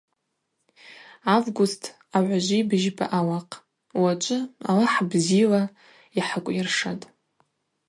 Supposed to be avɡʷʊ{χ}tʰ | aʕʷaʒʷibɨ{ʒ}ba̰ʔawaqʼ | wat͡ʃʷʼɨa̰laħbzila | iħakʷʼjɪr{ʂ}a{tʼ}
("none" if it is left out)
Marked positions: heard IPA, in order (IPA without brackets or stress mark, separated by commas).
s, ʒ, ʂ, tʼ